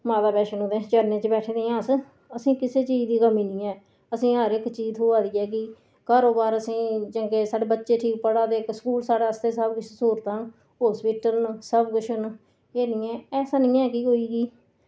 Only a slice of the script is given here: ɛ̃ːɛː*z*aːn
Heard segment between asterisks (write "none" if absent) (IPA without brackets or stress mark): s